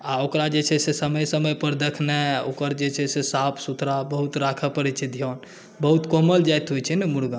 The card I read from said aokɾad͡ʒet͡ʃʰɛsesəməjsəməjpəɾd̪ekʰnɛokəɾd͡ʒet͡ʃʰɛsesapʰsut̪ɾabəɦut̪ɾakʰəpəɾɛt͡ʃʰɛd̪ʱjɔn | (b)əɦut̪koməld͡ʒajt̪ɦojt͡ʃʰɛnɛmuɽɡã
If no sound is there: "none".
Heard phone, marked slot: b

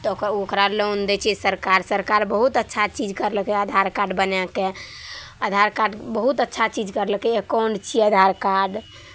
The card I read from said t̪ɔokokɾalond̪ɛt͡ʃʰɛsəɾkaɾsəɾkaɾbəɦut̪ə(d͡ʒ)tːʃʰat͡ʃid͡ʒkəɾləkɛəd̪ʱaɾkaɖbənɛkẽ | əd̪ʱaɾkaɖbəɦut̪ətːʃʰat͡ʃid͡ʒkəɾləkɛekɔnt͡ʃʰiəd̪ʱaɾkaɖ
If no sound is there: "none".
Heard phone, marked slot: none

